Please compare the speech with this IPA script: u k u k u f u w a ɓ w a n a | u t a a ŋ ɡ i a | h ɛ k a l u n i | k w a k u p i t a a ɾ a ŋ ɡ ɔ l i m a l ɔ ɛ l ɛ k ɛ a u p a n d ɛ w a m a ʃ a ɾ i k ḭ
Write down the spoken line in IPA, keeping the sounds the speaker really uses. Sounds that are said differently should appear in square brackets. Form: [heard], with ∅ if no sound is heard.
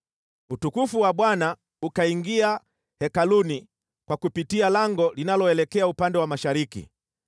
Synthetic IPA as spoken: u [t] u k u f u w a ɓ w a n a | u [k] a [i] ŋ ɡ i a | h ɛ k a l u n i | k w a k u p i t [i] a [l] a ŋ ɡ ɔ l i [n] a l ɔ ɛ l ɛ k ɛ a u p a n d ɛ w a m a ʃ a ɾ i k ḭ